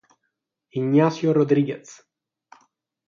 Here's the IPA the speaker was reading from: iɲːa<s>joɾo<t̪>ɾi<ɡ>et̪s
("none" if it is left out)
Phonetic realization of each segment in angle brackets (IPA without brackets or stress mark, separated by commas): s, d̪, ɡ